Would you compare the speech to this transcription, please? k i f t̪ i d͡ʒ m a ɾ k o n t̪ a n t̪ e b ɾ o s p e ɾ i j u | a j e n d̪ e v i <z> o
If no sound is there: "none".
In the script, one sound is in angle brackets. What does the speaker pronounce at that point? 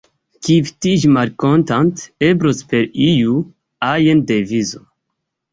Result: z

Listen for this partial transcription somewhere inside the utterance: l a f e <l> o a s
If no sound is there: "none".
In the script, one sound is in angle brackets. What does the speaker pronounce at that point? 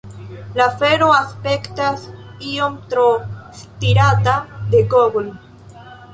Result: ɾ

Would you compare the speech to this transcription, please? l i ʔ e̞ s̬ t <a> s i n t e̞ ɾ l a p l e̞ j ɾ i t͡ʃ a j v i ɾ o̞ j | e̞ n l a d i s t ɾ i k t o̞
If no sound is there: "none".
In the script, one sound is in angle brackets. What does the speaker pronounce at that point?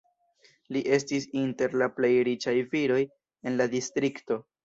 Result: i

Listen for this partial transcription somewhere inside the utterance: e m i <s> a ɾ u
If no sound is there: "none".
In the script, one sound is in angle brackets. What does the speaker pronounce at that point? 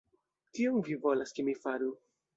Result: f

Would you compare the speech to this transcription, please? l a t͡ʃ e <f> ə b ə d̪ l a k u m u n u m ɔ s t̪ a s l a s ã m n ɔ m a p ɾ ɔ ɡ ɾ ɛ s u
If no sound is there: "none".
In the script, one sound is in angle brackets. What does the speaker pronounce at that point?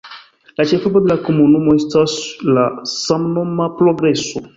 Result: f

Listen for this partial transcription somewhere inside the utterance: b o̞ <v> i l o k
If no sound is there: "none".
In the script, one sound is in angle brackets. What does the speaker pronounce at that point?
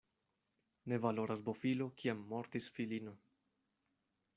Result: f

